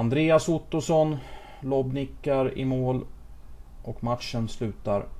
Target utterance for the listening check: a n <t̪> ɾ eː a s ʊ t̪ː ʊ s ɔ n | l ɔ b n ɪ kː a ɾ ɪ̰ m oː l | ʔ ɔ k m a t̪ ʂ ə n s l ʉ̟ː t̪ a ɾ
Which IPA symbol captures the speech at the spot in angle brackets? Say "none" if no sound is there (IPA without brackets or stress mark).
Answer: d̪